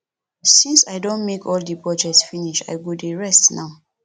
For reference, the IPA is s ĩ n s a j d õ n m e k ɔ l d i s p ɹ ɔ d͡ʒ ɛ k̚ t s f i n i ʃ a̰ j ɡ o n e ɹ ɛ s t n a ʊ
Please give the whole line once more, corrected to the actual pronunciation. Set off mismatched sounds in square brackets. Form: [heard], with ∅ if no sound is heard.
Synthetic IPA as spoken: s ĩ n s a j d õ n m e k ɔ l d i [∅] p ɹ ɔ d͡ʒ ɛ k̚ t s f i n i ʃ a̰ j ɡ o [d] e ɹ ɛ s t n a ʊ